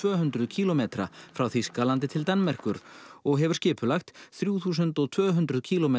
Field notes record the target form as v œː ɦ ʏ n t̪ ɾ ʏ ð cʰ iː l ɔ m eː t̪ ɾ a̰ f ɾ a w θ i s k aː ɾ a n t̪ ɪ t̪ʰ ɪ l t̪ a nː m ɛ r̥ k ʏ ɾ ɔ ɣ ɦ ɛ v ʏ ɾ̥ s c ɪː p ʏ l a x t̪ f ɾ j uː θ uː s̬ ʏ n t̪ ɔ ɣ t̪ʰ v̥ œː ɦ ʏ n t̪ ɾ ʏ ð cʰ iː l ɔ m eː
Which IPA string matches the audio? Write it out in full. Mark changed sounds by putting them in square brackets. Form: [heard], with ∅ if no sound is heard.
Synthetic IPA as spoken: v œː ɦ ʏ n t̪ ɾ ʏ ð cʰ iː l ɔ m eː t̪ ɾ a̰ f ɾ a w θ i s k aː [l] a n t̪ ɪ t̪ʰ ɪ l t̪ a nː m ɛ r̥ k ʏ ɾ ɔ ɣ ɦ ɛ v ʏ ɾ̥ s c ɪː p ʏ l a x t̪ [θ] ɾ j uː θ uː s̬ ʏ n t̪ ɔ ɣ t̪ʰ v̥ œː ɦ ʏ n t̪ ɾ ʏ ð cʰ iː l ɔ m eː